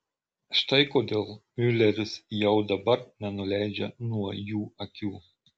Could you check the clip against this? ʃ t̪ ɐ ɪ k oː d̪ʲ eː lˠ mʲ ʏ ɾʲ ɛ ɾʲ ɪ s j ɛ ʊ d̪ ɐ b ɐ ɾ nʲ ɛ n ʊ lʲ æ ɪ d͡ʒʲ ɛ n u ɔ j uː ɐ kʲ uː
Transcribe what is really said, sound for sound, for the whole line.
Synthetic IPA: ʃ t̪ ɐ ɪ k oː d̪ʲ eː lˠ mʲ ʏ lʲ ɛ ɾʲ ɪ s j ɛ ʊ d̪ ɐ b ɐ ɾ nʲ ɛ n ʊ lʲ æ ɪ d͡ʒʲ ɛ n u ɔ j uː ɐ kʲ uː